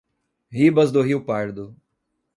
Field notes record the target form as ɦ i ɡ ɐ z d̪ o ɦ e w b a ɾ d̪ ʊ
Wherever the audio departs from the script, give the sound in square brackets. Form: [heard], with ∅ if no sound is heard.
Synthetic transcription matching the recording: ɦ i [b] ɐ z d̪ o ɦ [i] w [p] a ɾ d̪ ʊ